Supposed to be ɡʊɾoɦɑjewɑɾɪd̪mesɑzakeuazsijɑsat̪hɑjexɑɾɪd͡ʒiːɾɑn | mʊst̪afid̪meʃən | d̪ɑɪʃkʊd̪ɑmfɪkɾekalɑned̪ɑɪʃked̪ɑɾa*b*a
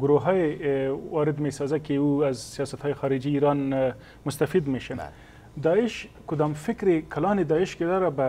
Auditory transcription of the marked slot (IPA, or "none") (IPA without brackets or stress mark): b